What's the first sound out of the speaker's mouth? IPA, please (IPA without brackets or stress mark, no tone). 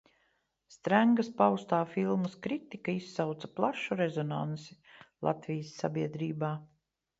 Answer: s